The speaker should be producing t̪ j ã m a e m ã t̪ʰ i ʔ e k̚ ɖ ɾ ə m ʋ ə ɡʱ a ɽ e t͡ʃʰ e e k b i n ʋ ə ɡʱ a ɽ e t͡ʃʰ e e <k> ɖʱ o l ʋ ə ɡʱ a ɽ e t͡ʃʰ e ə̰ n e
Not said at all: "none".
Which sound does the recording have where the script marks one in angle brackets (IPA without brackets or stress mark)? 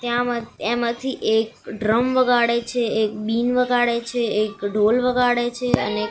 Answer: k